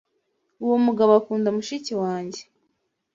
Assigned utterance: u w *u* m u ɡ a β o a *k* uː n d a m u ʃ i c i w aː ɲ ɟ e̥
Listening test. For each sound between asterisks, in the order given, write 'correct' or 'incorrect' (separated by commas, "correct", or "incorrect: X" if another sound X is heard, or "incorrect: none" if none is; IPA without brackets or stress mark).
incorrect: o, correct